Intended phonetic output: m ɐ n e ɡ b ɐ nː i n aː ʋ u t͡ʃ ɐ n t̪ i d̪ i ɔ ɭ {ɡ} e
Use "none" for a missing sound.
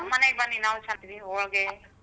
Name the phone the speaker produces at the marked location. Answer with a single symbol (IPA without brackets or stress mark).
ɡ